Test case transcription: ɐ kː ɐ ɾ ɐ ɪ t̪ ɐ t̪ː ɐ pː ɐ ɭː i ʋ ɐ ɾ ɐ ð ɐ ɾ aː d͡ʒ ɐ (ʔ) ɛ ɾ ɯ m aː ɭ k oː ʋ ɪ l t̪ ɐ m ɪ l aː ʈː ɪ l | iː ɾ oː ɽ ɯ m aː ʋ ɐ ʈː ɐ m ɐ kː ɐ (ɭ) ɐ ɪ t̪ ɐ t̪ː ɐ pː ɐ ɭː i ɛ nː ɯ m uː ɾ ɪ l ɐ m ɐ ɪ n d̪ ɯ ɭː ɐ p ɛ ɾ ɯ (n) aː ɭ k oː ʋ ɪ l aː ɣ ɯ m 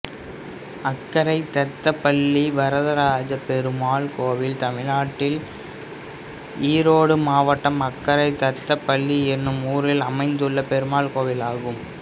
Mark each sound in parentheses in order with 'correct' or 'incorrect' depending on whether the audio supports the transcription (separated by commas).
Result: incorrect, incorrect, incorrect